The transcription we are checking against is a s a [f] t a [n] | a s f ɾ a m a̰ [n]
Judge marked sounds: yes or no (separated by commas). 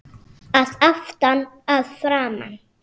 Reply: yes, yes, yes